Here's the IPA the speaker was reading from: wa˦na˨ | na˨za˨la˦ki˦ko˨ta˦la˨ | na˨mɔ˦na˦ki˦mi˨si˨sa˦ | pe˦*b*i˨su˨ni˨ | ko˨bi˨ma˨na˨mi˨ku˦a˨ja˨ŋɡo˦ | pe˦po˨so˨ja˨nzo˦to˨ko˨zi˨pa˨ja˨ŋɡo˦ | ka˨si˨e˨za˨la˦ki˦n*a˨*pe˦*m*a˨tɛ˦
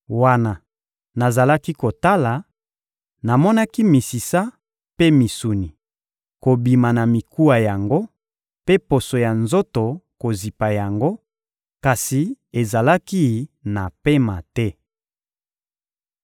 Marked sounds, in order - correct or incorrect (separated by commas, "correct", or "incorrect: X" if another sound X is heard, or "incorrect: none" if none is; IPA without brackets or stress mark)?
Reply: incorrect: m, correct, correct